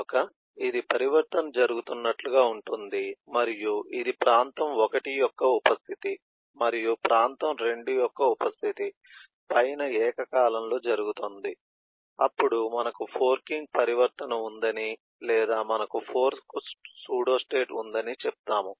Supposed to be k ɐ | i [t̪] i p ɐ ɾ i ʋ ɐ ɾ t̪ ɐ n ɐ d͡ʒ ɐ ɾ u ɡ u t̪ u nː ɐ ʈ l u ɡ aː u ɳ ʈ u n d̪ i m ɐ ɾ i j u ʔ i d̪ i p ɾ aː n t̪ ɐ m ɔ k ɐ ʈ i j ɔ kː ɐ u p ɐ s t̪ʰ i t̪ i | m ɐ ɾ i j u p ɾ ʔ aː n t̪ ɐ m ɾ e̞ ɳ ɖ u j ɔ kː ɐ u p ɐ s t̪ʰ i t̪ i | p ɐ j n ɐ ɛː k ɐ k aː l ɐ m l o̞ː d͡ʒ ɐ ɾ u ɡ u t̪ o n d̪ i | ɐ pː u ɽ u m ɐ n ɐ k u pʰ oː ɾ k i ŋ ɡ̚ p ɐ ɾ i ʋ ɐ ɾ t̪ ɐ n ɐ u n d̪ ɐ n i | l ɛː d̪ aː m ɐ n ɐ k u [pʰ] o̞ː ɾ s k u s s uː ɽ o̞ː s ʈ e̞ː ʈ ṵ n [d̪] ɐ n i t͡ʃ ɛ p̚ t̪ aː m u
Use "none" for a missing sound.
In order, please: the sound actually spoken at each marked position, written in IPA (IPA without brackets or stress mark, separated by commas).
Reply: d̪, pʰ, d̪